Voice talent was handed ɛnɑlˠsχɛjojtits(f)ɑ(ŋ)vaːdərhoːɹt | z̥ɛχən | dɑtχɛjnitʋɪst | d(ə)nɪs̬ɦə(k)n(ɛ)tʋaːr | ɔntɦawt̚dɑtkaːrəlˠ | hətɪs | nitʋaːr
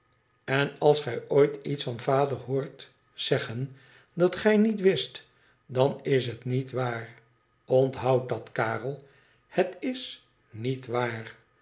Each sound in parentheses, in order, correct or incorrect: correct, incorrect: n, incorrect: ɑ, incorrect: t, incorrect: i

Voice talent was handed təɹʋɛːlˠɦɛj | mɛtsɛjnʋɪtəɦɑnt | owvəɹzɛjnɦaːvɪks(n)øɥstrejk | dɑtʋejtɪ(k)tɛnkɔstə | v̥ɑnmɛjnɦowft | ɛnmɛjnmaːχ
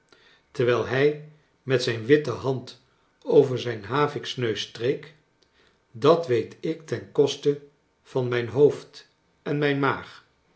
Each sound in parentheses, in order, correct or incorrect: correct, correct

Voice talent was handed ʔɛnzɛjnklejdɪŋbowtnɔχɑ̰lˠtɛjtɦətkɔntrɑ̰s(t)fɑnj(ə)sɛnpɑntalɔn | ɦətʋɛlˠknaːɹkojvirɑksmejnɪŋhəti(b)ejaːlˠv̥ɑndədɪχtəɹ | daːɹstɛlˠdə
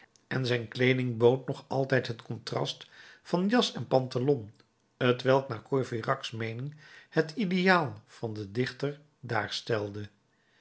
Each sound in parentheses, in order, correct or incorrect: correct, incorrect: ɑ, incorrect: d

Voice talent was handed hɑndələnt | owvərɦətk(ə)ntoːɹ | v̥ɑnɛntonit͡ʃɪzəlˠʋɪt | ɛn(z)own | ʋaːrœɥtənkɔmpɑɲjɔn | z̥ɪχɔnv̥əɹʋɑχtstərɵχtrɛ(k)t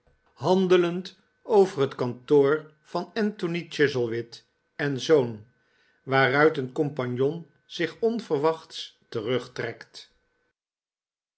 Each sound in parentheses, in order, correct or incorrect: incorrect: ɑ, correct, correct

